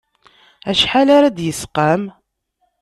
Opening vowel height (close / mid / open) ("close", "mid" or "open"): open